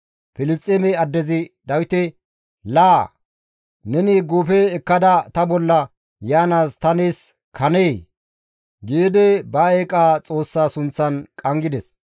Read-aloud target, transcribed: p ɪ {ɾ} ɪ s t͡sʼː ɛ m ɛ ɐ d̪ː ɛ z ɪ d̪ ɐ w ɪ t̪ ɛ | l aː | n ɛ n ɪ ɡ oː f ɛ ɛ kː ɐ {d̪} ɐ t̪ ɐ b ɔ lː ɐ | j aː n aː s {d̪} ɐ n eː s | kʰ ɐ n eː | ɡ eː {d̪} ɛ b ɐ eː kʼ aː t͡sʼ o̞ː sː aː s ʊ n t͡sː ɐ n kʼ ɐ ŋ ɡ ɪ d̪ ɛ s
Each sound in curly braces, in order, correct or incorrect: incorrect: l, correct, incorrect: t̪, correct

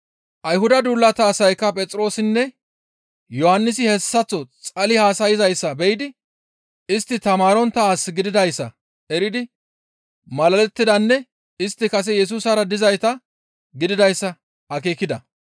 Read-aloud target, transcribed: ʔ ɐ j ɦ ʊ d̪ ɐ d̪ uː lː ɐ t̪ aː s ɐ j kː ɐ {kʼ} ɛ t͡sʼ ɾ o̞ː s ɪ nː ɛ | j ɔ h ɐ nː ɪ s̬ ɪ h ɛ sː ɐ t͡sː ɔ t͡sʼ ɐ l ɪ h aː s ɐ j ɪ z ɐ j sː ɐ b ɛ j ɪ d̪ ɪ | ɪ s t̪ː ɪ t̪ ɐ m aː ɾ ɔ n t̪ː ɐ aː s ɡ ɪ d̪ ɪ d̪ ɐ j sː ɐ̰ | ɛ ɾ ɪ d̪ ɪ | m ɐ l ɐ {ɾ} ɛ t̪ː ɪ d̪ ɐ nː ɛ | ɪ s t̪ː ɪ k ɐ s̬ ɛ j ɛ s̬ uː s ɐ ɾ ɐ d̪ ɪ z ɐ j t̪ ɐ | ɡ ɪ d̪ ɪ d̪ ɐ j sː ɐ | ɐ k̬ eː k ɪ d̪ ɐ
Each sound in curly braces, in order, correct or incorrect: incorrect: pʼ, incorrect: l

